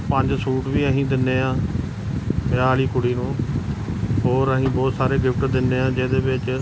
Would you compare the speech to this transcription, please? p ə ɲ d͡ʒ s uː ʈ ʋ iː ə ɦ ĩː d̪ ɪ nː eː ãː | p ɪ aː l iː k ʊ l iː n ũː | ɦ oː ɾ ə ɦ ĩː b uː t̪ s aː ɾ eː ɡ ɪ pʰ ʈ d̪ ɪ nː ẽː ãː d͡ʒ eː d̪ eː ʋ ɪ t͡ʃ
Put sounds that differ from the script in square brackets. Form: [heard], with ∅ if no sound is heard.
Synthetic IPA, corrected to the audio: p ə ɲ d͡ʒ s uː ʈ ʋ iː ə ɦ ĩː d̪ ɪ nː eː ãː | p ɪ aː l iː k ʊ [ɽ] iː n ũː | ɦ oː ɾ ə ɦ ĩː b [ɔː] t̪ s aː ɾ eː ɡ ɪ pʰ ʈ d̪ ɪ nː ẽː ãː d͡ʒ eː d̪ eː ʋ ɪ t͡ʃ